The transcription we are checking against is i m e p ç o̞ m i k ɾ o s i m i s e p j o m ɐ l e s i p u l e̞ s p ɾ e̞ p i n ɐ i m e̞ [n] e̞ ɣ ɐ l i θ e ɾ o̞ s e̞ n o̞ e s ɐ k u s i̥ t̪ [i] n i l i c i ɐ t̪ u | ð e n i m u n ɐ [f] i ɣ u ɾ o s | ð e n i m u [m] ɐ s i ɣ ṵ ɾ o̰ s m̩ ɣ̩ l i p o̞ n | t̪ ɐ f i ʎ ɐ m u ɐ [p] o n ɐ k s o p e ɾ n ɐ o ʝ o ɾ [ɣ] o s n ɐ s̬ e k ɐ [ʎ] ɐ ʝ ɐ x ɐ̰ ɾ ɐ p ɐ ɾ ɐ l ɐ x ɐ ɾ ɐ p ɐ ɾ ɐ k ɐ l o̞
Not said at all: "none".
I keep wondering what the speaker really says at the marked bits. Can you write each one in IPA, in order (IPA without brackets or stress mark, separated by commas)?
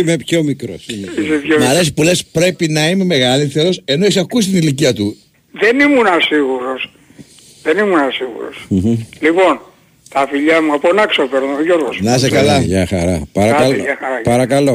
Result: m, i, s, n, p, ɣ, l